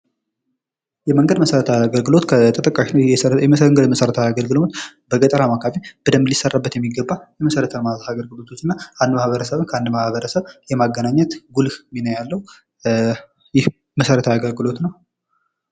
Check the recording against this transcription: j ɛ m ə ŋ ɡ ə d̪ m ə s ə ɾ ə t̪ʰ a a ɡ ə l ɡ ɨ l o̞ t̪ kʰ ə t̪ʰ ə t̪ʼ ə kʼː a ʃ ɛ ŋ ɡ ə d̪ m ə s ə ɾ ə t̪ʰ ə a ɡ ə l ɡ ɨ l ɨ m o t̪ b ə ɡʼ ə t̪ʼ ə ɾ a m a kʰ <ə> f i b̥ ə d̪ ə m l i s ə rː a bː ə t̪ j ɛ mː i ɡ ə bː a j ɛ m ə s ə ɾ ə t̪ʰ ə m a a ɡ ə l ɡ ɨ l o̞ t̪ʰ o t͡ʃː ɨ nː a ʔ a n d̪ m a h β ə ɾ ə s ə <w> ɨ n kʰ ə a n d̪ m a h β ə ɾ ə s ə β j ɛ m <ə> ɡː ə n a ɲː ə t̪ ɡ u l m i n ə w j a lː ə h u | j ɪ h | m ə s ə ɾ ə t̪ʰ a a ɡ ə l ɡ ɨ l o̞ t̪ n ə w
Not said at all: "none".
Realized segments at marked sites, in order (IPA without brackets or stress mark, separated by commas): a, β, a